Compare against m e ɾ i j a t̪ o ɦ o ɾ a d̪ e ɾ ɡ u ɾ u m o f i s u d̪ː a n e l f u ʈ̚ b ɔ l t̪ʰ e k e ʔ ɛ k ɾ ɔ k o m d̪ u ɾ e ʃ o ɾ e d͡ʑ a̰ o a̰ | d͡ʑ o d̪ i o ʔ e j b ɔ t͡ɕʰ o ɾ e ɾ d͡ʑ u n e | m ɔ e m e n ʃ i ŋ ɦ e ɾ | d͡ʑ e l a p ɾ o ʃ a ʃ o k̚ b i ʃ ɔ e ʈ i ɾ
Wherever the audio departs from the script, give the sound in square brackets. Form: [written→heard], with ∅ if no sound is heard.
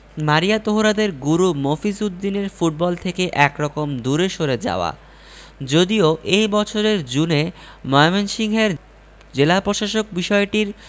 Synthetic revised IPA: m [e→a] ɾ i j a t̪ o ɦ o ɾ a d̪ e ɾ ɡ u ɾ u m o f i s u d̪ː [a→i] n e [l→ɾ] f u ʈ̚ b ɔ l t̪ʰ e k e ʔ ɛ k ɾ ɔ k o m d̪ u ɾ e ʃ o ɾ e d͡ʑ a̰ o a̰ | d͡ʑ o d̪ i o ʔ e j b ɔ t͡ɕʰ o ɾ e ɾ d͡ʑ u n e | m ɔ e m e n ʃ i ŋ ɦ e ɾ | d͡ʑ e l a p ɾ o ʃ a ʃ o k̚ b i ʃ ɔ e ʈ i ɾ